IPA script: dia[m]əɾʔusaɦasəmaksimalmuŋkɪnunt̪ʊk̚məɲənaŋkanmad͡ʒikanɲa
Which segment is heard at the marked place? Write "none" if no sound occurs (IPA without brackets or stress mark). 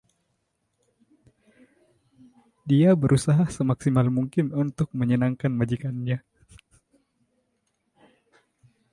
b